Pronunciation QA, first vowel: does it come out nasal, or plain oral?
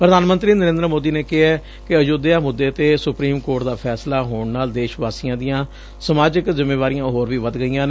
oral